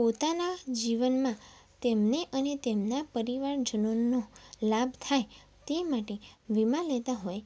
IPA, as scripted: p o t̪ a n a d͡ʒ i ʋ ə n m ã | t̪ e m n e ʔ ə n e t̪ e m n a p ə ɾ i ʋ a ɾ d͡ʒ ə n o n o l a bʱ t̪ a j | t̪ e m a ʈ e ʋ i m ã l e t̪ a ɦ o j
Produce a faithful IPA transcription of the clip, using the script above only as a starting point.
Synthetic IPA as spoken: p o t̪ a n a d͡ʒ i ʋ ə n m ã | t̪ e m n e ʔ ə n e t̪ e m n a p ə ɾ i ʋ a ɾ d͡ʒ ə n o n o l a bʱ t̪ʰ a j | t̪ e m a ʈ e ʋ i m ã l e t̪ a ɦ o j